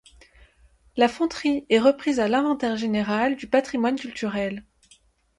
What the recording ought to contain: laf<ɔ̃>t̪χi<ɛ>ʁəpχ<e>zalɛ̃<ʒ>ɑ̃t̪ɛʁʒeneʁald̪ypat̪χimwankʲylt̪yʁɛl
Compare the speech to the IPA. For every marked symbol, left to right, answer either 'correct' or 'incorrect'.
correct, correct, incorrect: i, incorrect: v

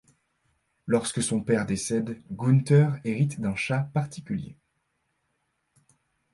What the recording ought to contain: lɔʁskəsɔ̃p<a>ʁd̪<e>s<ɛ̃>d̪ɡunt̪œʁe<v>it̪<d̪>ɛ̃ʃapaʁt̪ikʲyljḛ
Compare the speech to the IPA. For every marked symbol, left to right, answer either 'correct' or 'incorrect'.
incorrect: ɛ, correct, incorrect: ɛ, incorrect: ʁ, correct

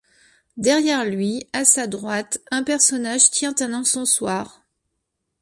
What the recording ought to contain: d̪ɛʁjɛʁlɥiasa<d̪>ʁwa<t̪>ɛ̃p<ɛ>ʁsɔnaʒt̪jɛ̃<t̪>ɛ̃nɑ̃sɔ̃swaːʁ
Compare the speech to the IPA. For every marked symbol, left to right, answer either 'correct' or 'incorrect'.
correct, correct, correct, correct

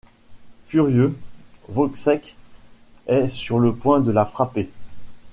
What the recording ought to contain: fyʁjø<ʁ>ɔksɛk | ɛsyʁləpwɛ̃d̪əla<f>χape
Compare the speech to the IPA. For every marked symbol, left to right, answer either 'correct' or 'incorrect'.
incorrect: v, correct

